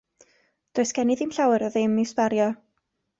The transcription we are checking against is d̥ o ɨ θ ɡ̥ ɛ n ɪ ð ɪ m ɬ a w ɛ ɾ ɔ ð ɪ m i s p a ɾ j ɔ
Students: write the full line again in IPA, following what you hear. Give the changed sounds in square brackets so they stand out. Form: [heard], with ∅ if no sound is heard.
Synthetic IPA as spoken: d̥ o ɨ [s] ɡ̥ ɛ n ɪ ð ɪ m ɬ a w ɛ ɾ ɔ ð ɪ m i s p a ɾ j ɔ